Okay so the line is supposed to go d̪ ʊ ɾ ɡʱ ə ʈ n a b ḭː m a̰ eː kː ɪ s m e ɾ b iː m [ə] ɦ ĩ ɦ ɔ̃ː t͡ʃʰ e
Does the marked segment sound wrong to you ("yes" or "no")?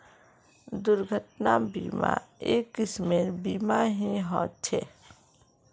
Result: yes